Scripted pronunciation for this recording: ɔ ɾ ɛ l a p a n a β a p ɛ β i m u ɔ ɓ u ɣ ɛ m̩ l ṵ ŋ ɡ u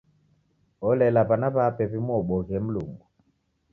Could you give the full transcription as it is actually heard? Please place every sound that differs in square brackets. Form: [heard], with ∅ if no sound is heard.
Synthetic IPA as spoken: ɔ [l] ɛ l a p a n a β a p ɛ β i m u ɔ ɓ [ɔ] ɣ ɛ m̩ l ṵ ŋ ɡ u